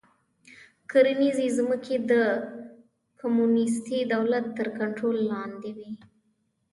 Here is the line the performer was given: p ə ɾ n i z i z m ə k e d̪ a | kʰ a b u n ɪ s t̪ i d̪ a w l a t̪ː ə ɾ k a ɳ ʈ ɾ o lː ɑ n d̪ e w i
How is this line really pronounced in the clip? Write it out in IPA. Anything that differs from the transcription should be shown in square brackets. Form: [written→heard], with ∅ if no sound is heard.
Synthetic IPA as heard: [p→k] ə ɾ n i z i z m ə k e d̪ [a→ə] | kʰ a [b→m] u n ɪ s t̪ i d̪ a w l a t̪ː ə ɾ k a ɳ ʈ ɾ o lː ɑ n d̪ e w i

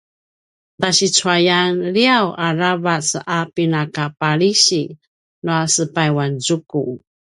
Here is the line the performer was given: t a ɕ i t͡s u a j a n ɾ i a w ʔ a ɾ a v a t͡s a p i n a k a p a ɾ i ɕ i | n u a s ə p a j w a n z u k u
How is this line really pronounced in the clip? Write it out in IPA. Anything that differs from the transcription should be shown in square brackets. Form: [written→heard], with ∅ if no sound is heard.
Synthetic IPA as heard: t a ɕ i t͡s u a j a n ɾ i a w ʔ a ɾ a v a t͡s a p i n a k a p a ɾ i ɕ i | n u a s ə p a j w a n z u k u

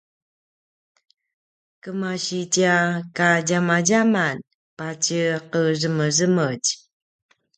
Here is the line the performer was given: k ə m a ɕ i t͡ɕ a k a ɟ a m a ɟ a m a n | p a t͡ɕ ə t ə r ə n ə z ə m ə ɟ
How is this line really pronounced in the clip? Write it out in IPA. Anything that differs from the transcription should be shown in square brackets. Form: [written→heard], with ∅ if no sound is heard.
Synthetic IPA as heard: k ə m a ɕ i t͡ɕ a k a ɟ a m a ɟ a m a n | p a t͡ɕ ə [t→q] ə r ə [n→m] ə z ə m ə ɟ

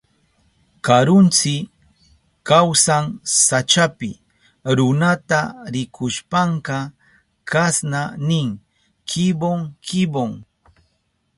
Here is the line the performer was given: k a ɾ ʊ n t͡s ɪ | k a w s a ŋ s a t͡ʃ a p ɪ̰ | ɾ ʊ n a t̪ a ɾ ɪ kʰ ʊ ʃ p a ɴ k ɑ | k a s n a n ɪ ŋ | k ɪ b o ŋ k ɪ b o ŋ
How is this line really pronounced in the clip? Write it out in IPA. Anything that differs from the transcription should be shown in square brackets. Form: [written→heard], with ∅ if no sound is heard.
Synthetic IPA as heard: k a ɾ ʊ n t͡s ɪ | k a w s a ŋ s a t͡ʃ a p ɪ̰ | ɾ ʊ n a t̪ a ɾ ɪ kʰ ʊ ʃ p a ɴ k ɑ | k a s n a n ɪ ŋ | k ɪ b o ŋ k ɪ b o ŋ

